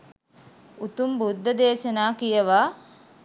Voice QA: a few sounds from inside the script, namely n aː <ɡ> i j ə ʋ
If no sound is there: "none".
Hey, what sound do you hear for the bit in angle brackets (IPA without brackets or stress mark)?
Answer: k